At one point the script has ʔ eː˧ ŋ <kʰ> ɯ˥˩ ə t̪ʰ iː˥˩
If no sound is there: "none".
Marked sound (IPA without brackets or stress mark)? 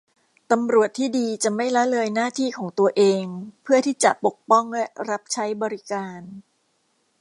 pʰ